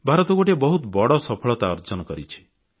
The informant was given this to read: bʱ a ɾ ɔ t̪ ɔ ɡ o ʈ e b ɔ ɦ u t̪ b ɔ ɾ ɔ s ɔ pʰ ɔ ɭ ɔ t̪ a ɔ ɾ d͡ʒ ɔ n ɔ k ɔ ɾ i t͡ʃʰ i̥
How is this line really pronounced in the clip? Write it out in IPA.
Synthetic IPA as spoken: bʱ a ɾ ɔ t̪ ɔ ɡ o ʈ e b ɔ ɦ u t̪ b ɔ ɽ ɔ s ɔ pʰ ɔ ɭ ɔ t̪ a ɔ ɾ d͡ʒ ɔ n ɔ k ɔ ɾ i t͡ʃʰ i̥